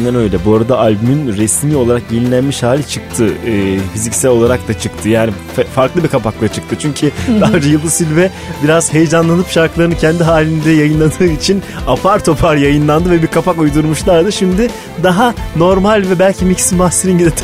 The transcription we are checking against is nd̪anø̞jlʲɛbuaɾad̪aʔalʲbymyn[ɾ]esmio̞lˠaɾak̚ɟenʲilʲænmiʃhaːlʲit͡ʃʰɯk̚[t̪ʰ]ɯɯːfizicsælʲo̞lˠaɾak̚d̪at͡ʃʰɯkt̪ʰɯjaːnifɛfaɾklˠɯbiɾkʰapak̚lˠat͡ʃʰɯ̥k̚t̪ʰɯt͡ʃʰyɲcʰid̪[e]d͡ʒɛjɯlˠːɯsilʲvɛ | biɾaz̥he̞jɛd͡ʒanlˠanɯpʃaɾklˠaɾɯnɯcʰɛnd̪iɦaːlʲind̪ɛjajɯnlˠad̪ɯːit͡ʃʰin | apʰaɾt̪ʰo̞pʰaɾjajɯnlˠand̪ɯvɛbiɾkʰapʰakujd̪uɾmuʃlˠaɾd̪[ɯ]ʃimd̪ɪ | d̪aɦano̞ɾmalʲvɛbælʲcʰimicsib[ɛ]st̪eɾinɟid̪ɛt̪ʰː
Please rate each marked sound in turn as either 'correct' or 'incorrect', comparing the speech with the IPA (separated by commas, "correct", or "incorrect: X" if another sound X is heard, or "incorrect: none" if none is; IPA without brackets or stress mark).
correct, correct, incorrect: a, correct, incorrect: a